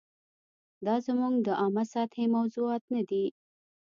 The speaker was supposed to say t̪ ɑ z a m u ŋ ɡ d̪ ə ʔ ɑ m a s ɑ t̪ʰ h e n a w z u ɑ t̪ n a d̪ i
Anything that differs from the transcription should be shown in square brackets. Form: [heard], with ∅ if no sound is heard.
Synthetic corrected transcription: [d̪] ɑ z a m u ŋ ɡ d̪ ə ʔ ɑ m a s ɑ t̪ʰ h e [m] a w z u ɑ t̪ n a d̪ i